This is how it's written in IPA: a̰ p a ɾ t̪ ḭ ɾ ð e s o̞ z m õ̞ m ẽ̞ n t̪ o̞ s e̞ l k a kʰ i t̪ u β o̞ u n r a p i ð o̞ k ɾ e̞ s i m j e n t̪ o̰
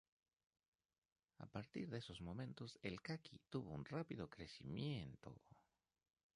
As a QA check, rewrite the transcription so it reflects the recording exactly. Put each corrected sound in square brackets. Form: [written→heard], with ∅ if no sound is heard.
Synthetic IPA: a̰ p a ɾ t̪ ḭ ɾ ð e s o̞ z m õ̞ m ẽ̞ n t̪ o̞ s e̞ l k a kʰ i t̪ u β o̞ u n r a p i ð o̞ k ɾ e̞ s i m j e n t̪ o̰